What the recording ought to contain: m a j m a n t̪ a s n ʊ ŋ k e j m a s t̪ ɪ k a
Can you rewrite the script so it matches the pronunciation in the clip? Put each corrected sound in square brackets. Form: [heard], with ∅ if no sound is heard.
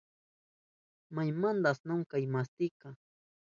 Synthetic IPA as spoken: m a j m a n [d̪] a s n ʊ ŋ k [a] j m a s t̪ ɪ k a